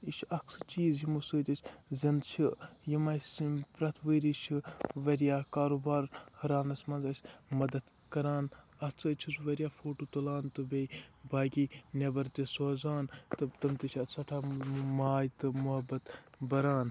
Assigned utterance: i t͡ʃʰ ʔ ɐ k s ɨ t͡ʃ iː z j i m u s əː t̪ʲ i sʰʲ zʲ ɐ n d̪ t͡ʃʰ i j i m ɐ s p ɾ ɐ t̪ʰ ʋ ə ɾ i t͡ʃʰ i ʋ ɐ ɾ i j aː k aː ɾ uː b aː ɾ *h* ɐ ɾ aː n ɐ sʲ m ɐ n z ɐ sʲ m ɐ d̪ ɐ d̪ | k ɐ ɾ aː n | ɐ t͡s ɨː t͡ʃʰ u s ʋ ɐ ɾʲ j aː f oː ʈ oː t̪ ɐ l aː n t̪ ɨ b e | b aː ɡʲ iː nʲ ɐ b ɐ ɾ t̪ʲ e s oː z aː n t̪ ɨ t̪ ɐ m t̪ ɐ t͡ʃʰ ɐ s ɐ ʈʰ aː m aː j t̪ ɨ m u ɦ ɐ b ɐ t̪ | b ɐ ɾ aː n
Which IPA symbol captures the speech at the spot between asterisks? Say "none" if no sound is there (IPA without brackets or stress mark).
h